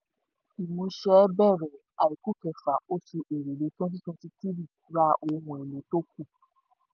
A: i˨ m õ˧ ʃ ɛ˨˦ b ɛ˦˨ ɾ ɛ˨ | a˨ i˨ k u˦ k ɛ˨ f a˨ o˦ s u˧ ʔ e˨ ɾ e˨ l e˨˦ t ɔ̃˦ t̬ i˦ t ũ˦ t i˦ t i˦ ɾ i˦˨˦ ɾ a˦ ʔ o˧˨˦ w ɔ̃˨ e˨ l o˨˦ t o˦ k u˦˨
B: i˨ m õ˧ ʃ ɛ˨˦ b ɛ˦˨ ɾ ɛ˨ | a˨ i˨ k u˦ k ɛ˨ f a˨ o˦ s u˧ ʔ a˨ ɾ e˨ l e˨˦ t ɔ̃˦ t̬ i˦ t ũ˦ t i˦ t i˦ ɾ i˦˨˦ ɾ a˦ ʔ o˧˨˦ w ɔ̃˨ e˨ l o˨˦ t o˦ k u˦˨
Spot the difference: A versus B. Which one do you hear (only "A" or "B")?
A